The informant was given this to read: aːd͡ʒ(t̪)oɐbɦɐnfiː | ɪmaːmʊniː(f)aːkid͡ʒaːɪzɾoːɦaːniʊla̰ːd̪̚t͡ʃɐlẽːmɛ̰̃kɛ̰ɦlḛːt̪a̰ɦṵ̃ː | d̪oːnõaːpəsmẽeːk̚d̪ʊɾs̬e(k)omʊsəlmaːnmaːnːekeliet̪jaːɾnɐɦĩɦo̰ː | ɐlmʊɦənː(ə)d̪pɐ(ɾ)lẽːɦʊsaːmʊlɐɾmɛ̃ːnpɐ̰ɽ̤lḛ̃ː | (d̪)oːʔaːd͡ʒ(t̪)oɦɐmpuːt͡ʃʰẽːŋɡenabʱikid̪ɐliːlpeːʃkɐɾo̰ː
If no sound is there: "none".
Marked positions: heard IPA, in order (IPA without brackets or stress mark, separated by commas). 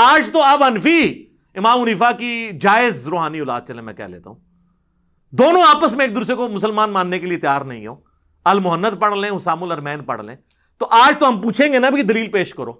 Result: t̪, f, k, ə, ɽ, t̪, t̪